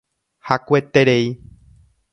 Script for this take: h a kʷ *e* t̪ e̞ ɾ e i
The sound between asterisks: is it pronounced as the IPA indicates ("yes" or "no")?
yes